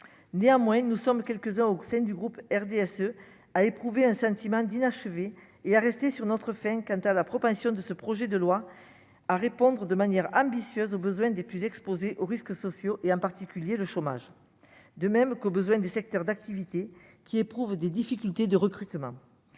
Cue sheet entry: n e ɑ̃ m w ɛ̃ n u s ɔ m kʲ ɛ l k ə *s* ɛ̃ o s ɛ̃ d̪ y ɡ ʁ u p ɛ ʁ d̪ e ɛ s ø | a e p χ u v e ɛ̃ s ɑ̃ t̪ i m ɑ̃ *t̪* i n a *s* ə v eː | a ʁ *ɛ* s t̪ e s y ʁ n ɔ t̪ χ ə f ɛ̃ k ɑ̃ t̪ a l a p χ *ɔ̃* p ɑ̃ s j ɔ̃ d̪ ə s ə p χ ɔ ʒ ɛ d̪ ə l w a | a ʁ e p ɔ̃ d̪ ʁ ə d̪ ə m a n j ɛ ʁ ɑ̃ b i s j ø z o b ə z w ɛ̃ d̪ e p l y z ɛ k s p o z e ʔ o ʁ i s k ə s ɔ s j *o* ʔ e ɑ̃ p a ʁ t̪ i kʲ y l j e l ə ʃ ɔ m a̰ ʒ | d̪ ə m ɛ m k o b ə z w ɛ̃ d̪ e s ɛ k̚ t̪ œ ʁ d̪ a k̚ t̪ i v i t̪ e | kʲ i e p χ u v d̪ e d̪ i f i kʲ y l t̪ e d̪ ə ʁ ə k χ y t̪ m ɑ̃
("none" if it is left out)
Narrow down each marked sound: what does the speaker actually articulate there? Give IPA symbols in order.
z, d̪, ʃ, ɛ, ɔ, o

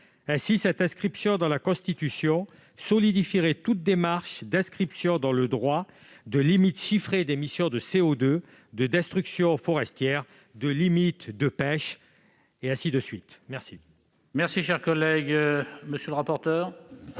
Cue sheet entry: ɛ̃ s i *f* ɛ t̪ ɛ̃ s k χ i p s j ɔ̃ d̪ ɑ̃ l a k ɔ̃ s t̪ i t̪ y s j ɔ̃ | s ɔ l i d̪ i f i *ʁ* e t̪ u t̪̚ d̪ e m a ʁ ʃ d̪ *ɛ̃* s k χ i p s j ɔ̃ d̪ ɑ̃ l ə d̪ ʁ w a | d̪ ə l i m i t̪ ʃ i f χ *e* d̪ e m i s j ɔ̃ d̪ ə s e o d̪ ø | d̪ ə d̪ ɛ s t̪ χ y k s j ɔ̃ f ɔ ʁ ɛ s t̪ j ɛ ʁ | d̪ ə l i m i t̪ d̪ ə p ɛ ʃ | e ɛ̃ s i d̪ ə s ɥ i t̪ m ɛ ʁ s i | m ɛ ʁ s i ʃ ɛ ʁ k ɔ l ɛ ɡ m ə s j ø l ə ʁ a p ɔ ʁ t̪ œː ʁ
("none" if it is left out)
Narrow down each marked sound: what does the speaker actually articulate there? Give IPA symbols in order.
s, ʁ, ɛ̃, e

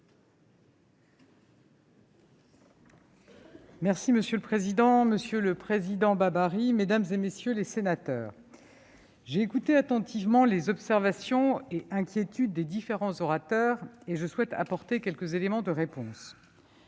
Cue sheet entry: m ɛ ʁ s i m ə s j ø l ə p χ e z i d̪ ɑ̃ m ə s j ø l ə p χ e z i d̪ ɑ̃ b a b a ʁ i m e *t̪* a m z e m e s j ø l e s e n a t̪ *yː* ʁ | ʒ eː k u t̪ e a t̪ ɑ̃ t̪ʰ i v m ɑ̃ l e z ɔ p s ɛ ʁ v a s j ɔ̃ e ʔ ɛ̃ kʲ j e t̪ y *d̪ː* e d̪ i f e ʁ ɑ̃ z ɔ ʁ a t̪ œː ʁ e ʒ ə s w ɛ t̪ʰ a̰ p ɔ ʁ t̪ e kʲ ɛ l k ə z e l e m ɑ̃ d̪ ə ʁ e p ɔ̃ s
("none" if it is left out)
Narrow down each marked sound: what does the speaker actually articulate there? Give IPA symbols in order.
d̪, œː, d̪ː

